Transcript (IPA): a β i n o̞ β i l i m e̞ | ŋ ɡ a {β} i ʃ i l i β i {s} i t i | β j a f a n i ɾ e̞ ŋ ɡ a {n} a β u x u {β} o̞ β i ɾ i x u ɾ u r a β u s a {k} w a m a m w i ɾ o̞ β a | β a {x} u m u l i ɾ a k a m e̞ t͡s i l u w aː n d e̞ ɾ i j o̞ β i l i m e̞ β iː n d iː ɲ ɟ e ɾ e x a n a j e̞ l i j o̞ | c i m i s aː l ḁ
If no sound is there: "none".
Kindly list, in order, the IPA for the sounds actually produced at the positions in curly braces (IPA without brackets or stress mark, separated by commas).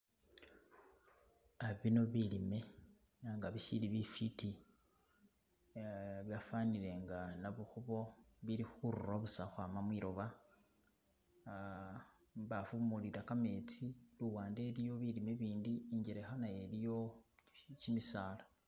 β, f, n, β, x, f